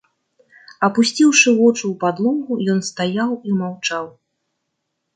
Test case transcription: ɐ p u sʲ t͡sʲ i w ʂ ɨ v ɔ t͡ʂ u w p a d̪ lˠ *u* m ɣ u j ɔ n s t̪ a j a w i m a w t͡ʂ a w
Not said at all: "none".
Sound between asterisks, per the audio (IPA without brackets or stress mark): ɔ